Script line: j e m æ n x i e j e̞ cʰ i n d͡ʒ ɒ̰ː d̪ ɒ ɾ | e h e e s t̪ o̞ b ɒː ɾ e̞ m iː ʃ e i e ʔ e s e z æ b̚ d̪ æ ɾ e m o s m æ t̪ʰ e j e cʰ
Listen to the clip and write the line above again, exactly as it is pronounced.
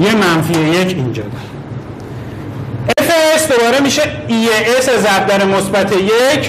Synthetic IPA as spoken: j e m æ n f i e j e̞ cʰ i n d͡ʒ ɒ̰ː d̪ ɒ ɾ | e f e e s d̪ o̞ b ɒː ɾ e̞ m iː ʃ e i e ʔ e s e z æ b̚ d̪ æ ɾ e m o s b æ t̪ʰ e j e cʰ